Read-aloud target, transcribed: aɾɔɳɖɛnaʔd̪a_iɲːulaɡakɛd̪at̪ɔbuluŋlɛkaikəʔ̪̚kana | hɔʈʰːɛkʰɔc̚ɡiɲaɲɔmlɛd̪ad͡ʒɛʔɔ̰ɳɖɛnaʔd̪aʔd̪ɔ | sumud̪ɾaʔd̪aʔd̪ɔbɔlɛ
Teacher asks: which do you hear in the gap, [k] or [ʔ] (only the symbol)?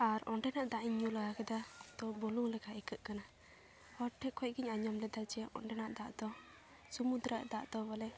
ʔ